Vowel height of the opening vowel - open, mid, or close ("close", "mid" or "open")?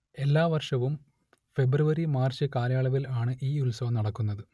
mid